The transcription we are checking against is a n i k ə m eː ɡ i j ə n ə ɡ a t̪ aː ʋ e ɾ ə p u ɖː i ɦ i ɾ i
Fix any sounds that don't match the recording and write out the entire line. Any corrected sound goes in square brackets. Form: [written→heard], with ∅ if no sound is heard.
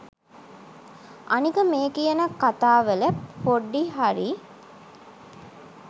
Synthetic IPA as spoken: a n i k ə m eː [ɡ→k] i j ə n ə [ɡ→k] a t̪ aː ʋ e [ɾ→l] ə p [u→o] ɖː i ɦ [i→a] ɾ i

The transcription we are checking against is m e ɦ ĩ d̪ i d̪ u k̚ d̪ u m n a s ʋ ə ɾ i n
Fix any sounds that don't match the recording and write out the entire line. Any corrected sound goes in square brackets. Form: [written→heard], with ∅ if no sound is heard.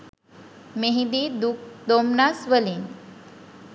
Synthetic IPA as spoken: m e ɦ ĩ d̪ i d̪ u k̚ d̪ [u→o] m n a s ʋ ə [ɾ→l] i n

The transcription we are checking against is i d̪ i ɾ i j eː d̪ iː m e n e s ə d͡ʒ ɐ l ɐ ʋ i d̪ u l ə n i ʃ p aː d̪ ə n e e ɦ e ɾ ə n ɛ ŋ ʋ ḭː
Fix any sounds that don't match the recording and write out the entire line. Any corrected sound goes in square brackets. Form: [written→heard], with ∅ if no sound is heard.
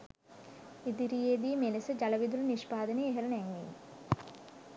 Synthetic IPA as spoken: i d̪ i ɾ i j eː d̪ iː m e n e s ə d͡ʒ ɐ l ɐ ʋ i d̪ u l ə n i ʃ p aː d̪ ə n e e ɦ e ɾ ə n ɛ ŋ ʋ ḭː

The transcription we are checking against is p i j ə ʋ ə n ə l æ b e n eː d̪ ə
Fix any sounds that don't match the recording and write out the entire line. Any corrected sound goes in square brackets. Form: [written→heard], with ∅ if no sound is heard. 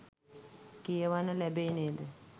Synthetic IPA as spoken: [p→k] i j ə ʋ [ə→a] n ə l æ b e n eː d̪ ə

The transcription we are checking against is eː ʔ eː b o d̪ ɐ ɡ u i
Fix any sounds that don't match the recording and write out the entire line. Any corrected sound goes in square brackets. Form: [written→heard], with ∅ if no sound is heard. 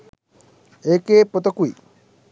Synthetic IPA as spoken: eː [ʔ→k] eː [b→p] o [d̪→t̪] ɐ [ɡ→k] u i

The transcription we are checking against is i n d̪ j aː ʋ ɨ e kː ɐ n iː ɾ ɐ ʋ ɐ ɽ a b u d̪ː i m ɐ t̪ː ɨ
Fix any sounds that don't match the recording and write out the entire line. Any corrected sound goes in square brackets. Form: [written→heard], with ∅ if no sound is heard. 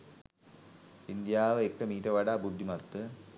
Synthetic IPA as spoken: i n d̪ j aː ʋ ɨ e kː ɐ [n→m] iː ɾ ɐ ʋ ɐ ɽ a b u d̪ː i m ɐ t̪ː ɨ

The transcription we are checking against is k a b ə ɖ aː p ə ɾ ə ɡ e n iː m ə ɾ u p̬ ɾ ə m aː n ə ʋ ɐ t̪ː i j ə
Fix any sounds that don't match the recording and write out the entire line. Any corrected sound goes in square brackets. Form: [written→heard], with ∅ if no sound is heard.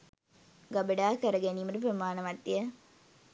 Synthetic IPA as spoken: [k→ɡ] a b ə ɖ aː [p→k] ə ɾ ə ɡ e n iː m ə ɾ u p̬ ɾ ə m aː n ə ʋ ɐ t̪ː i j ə

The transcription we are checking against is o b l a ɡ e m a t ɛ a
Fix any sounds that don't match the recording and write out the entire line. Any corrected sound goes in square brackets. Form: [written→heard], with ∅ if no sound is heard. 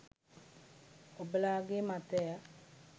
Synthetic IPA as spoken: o b l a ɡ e m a t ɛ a

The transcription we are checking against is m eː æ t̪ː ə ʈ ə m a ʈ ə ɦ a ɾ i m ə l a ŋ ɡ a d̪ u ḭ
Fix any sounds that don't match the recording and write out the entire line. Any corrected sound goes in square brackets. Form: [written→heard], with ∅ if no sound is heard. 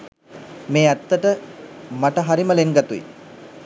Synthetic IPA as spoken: m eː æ t̪ː ə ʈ ə m a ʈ ə ɦ a ɾ i m ə l [a→e] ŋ ɡ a [d̪→t̪] u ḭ

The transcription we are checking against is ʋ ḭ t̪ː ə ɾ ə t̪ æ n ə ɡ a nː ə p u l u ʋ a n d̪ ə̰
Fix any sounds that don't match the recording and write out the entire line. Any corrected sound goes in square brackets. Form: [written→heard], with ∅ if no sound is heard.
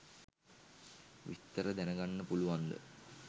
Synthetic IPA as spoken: ʋ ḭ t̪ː ə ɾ ə [t̪→d̪] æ n ə ɡ a nː ə p u l u ʋ a n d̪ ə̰

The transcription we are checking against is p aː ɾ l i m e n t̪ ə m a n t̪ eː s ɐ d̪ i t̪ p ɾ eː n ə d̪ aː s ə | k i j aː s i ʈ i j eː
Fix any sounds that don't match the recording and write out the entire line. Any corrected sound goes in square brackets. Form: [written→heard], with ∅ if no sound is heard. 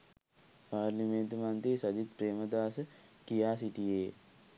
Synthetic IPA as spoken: p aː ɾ l i m e n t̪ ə m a n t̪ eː s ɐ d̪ i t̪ p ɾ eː [n→m] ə d̪ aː s ə | k i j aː s i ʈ i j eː

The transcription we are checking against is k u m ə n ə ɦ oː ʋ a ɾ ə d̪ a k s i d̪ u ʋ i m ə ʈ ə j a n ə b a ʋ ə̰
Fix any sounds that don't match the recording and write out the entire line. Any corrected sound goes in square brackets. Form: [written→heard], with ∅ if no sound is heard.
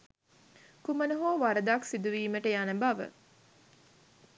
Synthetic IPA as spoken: k u m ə n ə ɦ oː ʋ a ɾ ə d̪ a k s i d̪ u ʋ [i→iː] m ə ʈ ə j a n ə b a ʋ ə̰

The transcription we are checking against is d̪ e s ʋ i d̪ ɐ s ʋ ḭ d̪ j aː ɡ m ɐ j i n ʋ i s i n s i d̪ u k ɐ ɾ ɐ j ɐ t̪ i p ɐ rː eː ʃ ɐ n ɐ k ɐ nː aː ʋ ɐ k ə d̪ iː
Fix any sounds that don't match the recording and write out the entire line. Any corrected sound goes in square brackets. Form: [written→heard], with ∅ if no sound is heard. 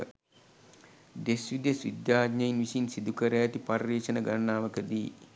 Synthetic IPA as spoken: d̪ e s ʋ i d̪ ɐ s ʋ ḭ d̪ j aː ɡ [m→ɲ] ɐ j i n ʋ i s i n s i d̪ u k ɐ ɾ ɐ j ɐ t̪ i p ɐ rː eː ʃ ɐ n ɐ [k→ɡ] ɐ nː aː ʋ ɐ k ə d̪ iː

